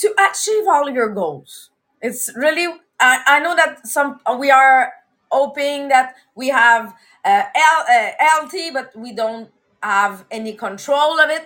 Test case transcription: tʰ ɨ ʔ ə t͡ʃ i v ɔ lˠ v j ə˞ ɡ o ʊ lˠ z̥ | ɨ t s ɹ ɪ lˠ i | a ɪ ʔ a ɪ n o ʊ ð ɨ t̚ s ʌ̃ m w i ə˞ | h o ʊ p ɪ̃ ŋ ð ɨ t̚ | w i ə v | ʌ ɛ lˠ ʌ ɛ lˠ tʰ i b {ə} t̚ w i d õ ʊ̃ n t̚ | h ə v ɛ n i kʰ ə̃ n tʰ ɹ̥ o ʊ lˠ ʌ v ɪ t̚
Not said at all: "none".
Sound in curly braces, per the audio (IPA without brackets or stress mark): ʌ